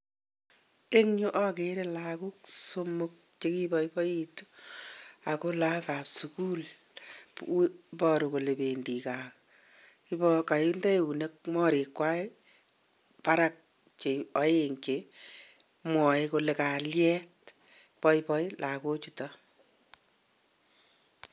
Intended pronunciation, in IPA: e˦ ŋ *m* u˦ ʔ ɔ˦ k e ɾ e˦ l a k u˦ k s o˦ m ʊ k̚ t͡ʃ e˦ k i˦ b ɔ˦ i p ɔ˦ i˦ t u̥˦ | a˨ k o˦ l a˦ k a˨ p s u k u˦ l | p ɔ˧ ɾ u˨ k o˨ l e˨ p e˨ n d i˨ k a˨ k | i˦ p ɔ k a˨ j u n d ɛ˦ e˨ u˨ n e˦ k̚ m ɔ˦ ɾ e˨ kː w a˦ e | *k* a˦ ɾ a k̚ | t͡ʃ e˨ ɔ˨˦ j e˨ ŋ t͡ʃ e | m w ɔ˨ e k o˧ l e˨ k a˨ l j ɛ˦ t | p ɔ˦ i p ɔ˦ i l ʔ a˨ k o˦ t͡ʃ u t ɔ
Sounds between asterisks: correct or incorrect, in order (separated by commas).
incorrect, incorrect